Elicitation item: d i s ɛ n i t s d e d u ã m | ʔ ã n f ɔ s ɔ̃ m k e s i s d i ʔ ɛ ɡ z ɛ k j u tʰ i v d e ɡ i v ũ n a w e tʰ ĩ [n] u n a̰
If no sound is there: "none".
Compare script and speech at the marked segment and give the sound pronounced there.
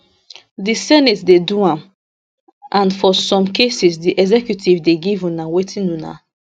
n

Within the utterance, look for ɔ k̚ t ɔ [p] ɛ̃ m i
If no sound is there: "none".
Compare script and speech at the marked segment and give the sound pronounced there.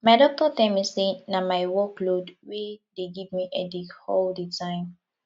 t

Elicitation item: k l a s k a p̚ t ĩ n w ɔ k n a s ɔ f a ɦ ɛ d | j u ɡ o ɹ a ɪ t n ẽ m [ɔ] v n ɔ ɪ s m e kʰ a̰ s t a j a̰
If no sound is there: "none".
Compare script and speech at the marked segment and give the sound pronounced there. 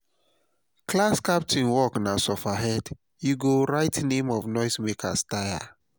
ɔ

